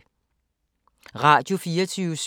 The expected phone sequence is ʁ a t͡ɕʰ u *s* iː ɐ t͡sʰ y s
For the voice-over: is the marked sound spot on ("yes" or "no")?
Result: no